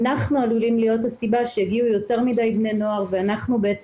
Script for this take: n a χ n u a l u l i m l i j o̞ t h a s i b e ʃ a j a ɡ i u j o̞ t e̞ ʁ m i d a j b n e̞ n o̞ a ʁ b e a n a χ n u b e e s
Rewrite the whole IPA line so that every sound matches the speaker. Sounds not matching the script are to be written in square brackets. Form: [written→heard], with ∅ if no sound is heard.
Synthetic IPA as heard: n a χ n u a l u l i m l i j o̞ t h a s i b [e→a] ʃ [a→e] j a ɡ i u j o̞ t e̞ ʁ m i d a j b n e̞ n o̞ a ʁ [b→v] e a n a χ n u b e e [s→t͡s]